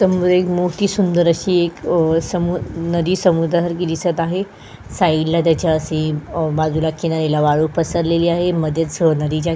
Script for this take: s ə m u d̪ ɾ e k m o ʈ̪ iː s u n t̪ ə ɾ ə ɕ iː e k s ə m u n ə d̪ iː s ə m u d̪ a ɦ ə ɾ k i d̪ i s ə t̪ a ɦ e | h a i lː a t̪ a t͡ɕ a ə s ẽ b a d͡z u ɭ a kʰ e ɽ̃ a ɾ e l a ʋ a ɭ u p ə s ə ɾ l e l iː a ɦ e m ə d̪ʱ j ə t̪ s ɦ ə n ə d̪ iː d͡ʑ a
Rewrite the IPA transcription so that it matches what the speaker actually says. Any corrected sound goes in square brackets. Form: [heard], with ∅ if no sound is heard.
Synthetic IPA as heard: s ə m u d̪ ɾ e k m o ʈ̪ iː s u n [d̪] ə ɾ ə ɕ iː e k s ə m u n ə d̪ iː s ə m u d̪ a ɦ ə ɾ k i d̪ i s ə t̪ a ɦ e | [s] a i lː a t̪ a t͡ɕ a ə s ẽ b a d͡z u [l] a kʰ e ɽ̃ a ɾ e l a ʋ a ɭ u p ə s ə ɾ l e l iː a ɦ e m ə d̪ʱ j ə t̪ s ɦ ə n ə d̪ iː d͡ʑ a